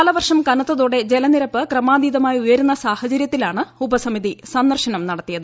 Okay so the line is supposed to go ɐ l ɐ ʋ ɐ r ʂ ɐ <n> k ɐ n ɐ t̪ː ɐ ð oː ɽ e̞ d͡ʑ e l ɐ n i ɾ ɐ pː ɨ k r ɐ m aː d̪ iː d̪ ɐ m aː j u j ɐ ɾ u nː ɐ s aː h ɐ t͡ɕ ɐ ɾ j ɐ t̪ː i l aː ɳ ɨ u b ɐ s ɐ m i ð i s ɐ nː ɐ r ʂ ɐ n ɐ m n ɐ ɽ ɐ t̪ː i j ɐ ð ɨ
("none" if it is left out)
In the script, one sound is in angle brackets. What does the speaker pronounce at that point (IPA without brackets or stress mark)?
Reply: m